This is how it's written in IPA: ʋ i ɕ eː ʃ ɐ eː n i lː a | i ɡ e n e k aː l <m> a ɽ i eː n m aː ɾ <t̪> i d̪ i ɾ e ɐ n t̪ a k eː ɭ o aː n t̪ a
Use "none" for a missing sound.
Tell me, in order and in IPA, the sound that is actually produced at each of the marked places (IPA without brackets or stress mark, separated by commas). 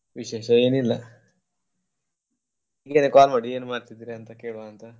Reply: m, t̪